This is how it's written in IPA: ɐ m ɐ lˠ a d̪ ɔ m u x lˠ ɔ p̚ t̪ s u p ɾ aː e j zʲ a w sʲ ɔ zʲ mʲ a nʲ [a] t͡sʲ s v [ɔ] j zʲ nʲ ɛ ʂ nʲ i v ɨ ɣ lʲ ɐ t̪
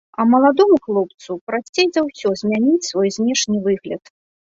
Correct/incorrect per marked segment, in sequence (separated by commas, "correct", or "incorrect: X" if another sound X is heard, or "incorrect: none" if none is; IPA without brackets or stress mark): incorrect: i, correct